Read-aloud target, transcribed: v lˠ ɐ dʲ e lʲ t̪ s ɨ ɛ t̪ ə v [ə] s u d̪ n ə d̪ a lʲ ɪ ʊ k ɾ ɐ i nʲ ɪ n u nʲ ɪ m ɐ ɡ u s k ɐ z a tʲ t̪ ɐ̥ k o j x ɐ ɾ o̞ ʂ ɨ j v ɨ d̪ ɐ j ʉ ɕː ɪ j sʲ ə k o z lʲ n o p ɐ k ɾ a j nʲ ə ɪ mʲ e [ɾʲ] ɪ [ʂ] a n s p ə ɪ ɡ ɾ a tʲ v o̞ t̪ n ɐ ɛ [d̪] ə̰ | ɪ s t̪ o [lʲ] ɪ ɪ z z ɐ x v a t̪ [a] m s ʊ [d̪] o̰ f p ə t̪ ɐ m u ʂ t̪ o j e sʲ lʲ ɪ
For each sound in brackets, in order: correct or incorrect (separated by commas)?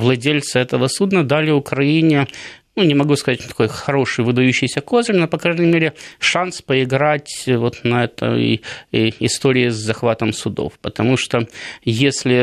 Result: correct, correct, correct, incorrect, incorrect, incorrect, correct